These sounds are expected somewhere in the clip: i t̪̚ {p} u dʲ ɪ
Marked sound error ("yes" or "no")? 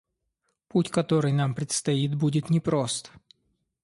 yes